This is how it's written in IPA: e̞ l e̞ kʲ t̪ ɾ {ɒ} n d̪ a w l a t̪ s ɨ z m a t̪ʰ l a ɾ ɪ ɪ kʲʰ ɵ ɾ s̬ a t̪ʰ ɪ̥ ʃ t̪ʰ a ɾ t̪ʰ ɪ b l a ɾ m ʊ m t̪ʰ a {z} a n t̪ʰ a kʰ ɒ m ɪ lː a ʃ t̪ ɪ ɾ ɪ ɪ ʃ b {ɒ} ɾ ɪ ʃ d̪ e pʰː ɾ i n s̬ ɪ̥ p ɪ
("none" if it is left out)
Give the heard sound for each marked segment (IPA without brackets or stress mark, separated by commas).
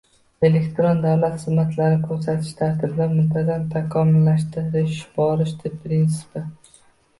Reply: o, z, ɒ